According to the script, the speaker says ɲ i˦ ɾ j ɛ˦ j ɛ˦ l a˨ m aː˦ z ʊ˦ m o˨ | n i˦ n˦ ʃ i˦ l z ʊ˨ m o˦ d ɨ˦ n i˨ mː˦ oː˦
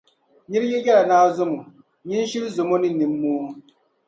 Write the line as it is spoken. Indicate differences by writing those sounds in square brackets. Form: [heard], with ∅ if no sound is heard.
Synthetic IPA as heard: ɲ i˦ ɾ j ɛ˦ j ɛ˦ l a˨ [n] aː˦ z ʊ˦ m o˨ | [ɲ] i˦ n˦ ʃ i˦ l z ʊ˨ m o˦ [n] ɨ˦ n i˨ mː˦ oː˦